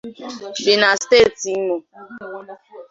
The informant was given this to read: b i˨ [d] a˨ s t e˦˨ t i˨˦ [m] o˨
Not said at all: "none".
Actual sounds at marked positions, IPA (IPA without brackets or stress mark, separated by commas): n, m